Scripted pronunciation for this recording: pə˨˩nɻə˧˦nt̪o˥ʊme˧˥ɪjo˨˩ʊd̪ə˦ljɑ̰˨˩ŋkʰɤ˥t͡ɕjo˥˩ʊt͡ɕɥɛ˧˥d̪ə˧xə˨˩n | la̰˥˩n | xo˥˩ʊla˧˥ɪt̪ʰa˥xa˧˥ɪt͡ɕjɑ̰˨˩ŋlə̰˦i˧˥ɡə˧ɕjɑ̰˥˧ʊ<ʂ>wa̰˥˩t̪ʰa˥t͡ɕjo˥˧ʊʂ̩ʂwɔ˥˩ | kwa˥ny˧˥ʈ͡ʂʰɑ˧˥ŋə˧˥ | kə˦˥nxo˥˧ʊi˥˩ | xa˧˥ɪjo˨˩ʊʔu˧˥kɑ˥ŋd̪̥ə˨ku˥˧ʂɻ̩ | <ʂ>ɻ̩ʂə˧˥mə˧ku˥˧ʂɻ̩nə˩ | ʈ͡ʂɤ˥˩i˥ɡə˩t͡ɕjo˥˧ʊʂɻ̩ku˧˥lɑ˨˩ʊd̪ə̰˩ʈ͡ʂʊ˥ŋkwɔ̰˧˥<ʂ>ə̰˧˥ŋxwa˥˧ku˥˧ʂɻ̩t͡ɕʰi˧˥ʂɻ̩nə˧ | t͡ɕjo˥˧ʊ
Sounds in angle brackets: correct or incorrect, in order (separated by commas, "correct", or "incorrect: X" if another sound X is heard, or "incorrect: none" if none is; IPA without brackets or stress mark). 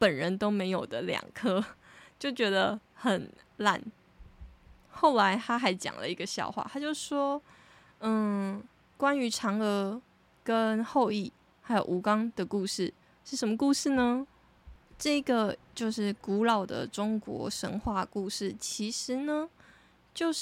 incorrect: x, correct, correct